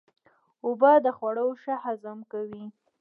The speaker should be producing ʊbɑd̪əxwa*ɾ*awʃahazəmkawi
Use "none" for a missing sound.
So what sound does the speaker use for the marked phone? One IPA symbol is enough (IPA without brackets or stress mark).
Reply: ɽ